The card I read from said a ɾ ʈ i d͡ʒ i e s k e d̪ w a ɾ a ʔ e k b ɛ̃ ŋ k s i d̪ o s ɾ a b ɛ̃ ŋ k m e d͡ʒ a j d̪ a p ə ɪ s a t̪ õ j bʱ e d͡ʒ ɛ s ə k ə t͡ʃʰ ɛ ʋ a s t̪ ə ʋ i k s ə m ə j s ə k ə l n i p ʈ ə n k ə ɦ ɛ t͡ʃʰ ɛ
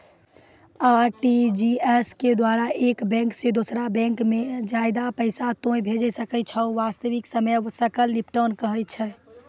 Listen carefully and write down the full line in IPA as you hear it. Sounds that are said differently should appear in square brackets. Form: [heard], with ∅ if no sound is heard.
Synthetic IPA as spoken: a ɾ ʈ i d͡ʒ i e s k e d̪ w a ɾ a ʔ e k b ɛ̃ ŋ k s [e] d̪ o s ɾ a b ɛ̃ ŋ k m e d͡ʒ a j d̪ a p ə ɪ s a t̪ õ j bʱ e d͡ʒ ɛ s ə k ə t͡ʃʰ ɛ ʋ a s t̪ ə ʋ i k s ə m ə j s ə k ə l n i p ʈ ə n k ə ɦ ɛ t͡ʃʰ ɛ